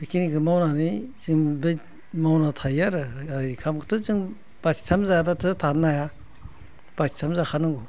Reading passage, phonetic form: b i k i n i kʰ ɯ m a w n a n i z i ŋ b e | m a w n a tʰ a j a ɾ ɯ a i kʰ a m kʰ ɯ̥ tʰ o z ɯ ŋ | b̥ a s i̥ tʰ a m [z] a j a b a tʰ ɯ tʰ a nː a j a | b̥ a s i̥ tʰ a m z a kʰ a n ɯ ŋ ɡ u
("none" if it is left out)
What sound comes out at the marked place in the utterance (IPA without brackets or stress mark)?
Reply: z